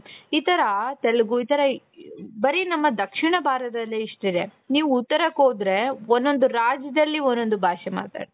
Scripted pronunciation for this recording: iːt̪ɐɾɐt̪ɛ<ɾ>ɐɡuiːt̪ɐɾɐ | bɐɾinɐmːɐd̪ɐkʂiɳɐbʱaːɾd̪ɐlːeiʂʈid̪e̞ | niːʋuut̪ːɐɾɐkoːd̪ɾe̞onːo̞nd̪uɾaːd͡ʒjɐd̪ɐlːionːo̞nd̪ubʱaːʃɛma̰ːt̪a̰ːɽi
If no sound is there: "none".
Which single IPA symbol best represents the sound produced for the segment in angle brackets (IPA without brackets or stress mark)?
ɭ